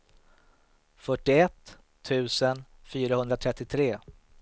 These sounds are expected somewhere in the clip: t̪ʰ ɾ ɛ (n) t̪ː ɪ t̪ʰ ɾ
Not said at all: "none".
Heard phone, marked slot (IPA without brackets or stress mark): none